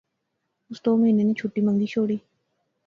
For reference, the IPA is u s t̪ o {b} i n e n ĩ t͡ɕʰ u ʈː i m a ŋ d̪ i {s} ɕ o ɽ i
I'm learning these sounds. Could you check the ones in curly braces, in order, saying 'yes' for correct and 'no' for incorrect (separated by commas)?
no, no